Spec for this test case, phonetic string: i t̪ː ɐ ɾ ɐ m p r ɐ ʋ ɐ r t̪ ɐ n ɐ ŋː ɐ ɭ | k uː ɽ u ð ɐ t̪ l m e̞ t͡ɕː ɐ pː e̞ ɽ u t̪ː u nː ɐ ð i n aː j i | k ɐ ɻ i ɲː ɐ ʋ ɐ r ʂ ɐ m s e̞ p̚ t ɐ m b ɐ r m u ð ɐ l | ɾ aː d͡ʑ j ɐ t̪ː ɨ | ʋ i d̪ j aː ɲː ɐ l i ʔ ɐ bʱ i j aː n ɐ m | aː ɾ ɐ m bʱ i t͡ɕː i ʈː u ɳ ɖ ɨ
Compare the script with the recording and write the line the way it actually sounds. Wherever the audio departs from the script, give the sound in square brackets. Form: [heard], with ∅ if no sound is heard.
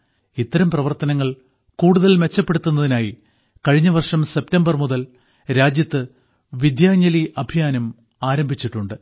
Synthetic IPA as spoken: i t̪ː ɐ ɾ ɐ m p r ɐ ʋ ɐ r t̪ ɐ n ɐ ŋː ɐ ɭ | k uː ɽ u ð ɐ [∅] l m e̞ t͡ɕː ɐ pː e̞ ɽ u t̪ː u nː ɐ ð i n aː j i | k ɐ ɻ i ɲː ɐ ʋ ɐ r ʂ ɐ m s e̞ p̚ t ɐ m b ɐ r m u ð ɐ l | ɾ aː d͡ʑ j ɐ t̪ː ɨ | ʋ i d̪ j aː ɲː ɐ l i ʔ ɐ bʱ i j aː n ɐ m | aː ɾ ɐ m bʱ i t͡ɕː i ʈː u ɳ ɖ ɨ